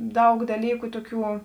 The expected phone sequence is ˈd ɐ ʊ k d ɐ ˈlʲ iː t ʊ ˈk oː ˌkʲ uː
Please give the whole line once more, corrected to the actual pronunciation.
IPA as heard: ˈd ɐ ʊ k d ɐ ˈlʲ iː k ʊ ˈt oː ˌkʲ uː